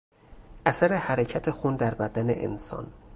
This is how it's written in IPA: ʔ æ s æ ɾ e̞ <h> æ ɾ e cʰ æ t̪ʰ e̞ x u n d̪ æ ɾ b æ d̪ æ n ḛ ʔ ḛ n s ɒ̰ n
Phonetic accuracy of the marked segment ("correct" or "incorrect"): correct